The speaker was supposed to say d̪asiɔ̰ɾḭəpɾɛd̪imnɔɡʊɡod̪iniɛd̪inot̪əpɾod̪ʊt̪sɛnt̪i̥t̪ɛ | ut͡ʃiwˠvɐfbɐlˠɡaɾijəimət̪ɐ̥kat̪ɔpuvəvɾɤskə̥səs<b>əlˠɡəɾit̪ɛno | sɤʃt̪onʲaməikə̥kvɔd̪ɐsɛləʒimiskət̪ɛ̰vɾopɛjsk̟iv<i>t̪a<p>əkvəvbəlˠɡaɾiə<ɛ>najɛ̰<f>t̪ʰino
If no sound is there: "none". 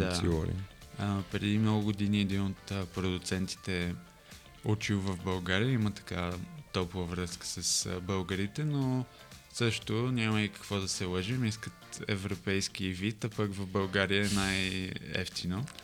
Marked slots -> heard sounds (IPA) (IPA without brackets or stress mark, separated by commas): b, i, p, ɛ, f